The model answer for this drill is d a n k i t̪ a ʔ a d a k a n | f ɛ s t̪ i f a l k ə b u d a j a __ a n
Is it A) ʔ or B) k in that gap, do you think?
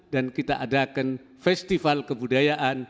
A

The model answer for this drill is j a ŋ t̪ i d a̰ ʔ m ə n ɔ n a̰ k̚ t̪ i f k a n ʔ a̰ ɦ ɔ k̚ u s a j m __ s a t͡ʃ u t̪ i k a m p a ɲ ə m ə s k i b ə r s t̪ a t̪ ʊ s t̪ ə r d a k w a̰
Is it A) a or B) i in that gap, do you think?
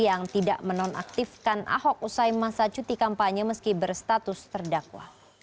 A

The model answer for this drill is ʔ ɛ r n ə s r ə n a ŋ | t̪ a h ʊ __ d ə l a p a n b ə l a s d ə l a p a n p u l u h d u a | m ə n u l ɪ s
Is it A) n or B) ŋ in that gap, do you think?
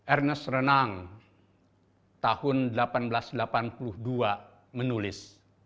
A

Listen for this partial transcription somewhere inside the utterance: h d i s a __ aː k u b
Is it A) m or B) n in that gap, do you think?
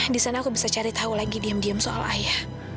B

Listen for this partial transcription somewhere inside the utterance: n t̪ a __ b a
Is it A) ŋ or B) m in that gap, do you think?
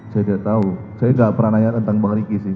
A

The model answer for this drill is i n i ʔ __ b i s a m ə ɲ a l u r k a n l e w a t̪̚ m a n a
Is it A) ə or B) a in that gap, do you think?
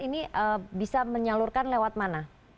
A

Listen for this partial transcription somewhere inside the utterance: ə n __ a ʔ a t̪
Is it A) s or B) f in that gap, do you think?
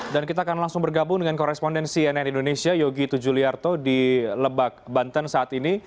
A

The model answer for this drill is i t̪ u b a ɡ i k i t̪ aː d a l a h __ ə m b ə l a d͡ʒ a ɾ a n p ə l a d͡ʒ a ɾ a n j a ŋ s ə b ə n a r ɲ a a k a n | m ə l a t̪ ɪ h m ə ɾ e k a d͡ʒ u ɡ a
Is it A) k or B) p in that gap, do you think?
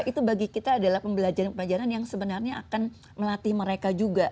B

